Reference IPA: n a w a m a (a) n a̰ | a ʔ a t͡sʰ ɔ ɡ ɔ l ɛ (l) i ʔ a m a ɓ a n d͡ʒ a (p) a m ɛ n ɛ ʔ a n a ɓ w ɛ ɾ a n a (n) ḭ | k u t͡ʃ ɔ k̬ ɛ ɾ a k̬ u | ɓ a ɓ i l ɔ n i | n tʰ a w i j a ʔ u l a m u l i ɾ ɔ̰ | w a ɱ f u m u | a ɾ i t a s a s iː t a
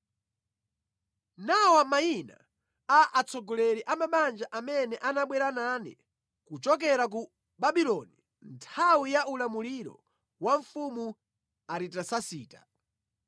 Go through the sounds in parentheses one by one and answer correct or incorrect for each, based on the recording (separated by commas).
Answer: incorrect, incorrect, incorrect, correct